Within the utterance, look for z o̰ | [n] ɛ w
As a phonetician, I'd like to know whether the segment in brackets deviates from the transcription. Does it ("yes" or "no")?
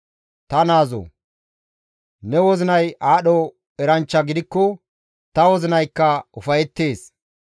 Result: no